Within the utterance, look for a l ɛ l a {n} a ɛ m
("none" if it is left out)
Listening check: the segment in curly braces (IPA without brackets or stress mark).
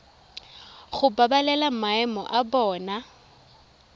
m